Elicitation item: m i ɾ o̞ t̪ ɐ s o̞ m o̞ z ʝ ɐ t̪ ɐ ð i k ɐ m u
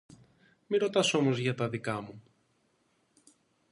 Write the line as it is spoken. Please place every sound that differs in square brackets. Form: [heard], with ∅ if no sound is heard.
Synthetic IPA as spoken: m i ɾ o̞ t̪ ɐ s o̞ m o̞ z ʝ ɐ t̪ ɐ ð i k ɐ m u